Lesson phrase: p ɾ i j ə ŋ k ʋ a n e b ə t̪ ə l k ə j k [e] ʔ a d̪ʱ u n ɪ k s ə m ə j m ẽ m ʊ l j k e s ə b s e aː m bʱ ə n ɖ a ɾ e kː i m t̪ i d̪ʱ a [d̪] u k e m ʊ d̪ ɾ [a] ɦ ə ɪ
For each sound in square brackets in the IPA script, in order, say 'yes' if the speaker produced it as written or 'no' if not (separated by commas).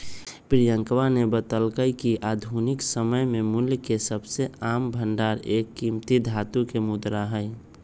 no, no, yes